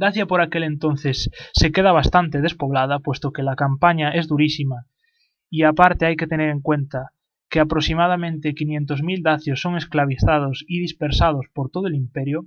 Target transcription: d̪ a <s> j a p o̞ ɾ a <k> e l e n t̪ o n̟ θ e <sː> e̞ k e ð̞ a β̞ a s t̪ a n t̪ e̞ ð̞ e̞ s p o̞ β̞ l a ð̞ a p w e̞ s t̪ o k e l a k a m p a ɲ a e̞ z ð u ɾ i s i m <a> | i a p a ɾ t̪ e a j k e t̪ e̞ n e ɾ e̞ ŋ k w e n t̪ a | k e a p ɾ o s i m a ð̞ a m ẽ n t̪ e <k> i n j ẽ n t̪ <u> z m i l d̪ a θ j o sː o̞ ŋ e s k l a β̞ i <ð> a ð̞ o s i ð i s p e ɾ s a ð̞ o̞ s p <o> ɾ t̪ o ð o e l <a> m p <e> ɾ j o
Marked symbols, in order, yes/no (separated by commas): no, yes, yes, yes, yes, no, no, yes, no, yes